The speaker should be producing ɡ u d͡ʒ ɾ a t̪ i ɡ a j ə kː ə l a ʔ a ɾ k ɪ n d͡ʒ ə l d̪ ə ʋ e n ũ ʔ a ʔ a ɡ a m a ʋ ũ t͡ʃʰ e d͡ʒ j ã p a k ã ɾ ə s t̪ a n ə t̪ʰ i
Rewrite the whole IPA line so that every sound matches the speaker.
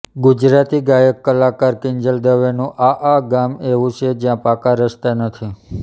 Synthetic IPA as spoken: ɡ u d͡ʒ ɾ a t̪ i ɡ a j ə kː ə l a k a ɾ k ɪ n d͡ʒ ə l d̪ ə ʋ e n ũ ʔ a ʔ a ɡ a m e ʋ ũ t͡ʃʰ e d͡ʒ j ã p a k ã ɾ ə s t̪ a n ə t̪ʰ i